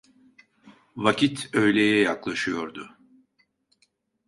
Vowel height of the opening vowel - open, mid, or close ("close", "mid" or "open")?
open